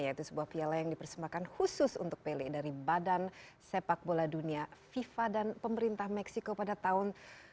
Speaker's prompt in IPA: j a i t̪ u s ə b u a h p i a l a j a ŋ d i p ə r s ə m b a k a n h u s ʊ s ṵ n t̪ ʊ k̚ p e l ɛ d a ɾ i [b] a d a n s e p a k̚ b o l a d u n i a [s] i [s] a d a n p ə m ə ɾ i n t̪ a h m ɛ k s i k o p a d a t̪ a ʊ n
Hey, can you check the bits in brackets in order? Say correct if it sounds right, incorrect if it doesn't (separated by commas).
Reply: correct, incorrect, incorrect